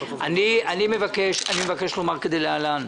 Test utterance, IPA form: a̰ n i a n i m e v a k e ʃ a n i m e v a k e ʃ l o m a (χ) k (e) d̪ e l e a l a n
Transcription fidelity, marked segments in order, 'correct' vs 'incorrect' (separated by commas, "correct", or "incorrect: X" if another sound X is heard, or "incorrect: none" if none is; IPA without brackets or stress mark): incorrect: ʁ, correct